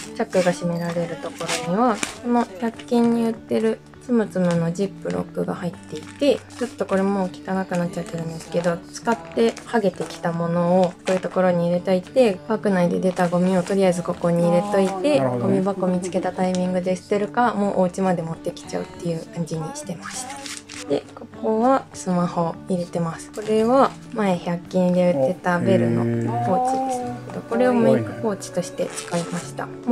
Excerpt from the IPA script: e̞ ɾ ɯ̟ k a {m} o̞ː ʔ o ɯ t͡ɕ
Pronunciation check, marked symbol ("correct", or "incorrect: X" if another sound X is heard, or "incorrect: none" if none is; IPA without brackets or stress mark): correct